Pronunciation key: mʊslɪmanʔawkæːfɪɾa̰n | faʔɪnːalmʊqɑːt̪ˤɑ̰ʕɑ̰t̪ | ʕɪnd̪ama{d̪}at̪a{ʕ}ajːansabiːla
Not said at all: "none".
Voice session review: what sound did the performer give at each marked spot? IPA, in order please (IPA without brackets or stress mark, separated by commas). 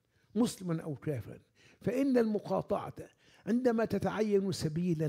t̪, ʕ